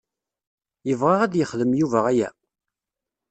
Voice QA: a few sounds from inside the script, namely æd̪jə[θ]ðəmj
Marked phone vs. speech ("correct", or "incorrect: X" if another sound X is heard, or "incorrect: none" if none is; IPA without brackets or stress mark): incorrect: χ